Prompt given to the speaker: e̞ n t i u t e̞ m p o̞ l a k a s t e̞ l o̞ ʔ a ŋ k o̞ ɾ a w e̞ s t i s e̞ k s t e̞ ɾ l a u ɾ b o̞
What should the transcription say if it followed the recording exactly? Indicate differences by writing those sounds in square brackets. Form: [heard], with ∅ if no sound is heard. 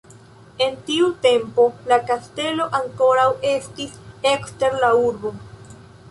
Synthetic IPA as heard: e̞ n t i u t e̞ m p o̞ l a k a s t e̞ l o̞ ʔ a ŋ k o̞ ɾ a w e̞ s t i s e̞ k s t e̞ ɾ l a u ɾ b o̞